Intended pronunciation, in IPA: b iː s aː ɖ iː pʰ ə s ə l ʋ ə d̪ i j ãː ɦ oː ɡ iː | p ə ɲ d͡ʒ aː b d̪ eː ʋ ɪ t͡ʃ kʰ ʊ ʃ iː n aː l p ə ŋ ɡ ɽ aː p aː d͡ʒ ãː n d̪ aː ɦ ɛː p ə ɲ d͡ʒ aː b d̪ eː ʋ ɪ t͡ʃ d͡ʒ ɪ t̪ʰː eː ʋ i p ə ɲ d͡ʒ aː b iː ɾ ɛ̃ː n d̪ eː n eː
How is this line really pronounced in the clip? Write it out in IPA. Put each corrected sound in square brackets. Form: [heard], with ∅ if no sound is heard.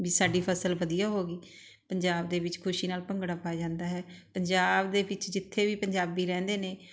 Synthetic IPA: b iː s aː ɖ iː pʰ ə s ə l ʋ ə d̪ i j [aː] ɦ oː ɡ iː | p ə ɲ d͡ʒ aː b d̪ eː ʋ ɪ t͡ʃ kʰ ʊ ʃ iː n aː l p ə ŋ ɡ ɽ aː p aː d͡ʒ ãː n d̪ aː ɦ ɛː p ə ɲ d͡ʒ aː b d̪ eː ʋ ɪ t͡ʃ d͡ʒ ɪ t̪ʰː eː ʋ [iː] p ə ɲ d͡ʒ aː b iː ɾ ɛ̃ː n d̪ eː n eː